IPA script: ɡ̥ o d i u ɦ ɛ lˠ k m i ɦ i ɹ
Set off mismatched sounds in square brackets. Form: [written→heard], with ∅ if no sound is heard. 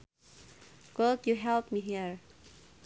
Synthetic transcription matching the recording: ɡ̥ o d [i→j] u ɦ ɛ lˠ [k→p] m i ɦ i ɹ